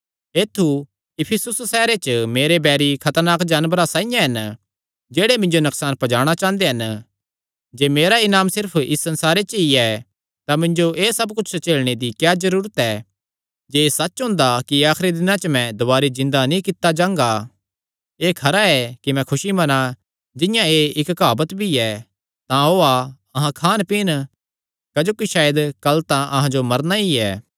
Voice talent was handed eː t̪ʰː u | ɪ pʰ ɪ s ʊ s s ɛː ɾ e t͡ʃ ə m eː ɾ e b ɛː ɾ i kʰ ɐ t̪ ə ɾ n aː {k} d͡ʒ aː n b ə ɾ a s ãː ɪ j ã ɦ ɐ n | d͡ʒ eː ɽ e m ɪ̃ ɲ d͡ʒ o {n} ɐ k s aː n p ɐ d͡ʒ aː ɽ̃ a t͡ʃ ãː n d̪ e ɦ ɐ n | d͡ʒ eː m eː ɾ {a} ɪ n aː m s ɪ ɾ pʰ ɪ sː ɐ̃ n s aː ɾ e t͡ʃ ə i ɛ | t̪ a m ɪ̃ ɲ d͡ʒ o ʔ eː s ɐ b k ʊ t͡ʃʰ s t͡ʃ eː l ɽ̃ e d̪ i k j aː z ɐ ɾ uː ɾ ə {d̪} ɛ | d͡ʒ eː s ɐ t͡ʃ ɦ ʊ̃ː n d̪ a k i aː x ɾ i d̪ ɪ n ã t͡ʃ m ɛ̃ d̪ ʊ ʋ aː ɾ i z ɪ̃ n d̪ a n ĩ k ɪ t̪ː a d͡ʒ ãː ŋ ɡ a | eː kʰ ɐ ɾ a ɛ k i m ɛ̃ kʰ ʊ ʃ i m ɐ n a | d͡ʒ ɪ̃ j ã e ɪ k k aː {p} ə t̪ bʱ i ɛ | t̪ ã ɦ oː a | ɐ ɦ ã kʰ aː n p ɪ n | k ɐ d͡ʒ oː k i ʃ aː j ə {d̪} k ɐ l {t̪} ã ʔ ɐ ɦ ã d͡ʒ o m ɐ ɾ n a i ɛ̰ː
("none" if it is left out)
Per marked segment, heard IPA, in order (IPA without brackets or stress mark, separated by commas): k, n, a, t̪, b, d̪, t̪